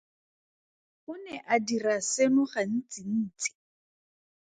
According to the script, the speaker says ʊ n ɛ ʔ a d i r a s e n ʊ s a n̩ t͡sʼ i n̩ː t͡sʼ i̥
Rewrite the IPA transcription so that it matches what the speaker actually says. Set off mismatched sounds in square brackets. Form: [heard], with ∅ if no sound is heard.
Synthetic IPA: ʊ n ɛ ʔ a d i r a s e n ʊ [χ] a n̩ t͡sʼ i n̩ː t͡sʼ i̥